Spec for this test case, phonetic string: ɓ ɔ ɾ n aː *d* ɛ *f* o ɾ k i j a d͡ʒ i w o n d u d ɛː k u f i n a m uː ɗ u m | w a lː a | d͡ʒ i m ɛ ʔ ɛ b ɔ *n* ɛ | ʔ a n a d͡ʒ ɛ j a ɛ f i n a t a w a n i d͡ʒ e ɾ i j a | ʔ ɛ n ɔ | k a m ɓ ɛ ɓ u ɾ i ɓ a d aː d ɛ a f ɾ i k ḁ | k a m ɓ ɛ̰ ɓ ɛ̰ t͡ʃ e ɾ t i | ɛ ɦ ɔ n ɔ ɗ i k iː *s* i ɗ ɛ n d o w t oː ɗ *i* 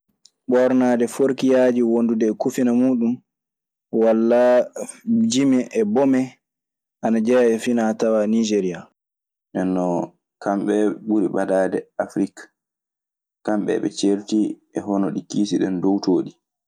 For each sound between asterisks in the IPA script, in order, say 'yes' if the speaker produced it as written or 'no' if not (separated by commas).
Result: yes, yes, no, yes, yes